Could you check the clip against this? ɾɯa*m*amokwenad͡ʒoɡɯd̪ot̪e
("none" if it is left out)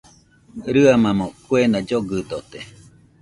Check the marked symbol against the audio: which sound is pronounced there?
m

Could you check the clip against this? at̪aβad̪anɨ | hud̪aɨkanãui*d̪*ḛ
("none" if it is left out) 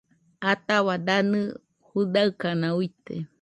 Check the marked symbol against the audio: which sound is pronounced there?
t̪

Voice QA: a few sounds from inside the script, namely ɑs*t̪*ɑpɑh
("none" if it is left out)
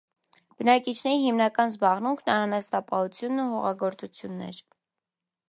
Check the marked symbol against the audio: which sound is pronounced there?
t̪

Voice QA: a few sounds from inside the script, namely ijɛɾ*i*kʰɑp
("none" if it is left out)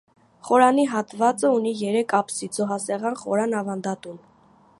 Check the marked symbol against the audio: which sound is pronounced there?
ɛ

